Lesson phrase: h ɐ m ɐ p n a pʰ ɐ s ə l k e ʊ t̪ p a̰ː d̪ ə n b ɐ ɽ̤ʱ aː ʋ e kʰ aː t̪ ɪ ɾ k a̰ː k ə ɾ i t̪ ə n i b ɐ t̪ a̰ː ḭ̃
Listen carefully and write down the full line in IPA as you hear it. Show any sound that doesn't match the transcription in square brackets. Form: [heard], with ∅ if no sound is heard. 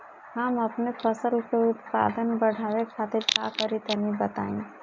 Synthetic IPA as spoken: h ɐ m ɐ p n [e] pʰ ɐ s ə l k e ʊ t̪ p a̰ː d̪ ə n b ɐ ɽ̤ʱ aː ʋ e kʰ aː t̪ ɪ ɾ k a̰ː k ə ɾ i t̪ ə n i b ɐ t̪ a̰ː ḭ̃